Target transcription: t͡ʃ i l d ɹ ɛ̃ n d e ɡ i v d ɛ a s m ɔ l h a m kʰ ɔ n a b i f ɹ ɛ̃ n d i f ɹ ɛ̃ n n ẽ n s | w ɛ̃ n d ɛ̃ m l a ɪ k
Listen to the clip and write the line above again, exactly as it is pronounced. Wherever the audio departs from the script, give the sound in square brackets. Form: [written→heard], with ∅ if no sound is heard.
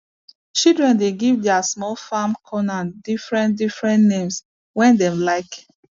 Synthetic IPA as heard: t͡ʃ i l d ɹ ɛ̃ n d e ɡ i v d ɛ a s m ɔ l [h→f] a m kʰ ɔ n a [b→d] i f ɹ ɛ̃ n d i f ɹ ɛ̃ n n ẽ [n→m] s | w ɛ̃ n d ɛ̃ m l a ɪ k